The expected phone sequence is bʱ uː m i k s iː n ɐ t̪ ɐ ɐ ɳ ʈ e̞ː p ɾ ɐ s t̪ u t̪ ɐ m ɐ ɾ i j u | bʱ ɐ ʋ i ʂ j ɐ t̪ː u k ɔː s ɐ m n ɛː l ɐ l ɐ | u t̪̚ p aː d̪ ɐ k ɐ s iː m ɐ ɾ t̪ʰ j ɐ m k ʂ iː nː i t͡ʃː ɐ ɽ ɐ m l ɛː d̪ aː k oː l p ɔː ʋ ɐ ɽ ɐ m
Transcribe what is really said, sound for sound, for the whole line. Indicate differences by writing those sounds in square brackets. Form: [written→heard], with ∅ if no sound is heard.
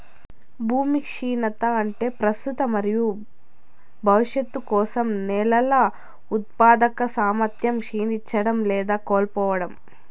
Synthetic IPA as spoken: bʱ uː m i k [s→ʂ] iː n ɐ t̪ ɐ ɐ ɳ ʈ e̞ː p ɾ ɐ s t̪ u t̪ ɐ m ɐ ɾ i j u | bʱ ɐ ʋ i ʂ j ɐ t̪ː u k ɔː s ɐ m n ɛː l ɐ l ɐ | u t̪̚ p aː d̪ ɐ k ɐ s [iː→aː] m ɐ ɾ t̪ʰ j ɐ m k ʂ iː [nː→n] i t͡ʃː ɐ ɽ ɐ m l ɛː d̪ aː k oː l p ɔː ʋ ɐ ɽ ɐ m